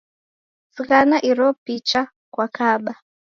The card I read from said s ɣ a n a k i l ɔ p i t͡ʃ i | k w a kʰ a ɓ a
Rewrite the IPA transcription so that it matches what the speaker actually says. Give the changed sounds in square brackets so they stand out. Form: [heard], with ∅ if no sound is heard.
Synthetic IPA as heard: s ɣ a n a [ʔ] i [ɾ] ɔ p i t͡ʃ [a] | k w a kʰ a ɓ a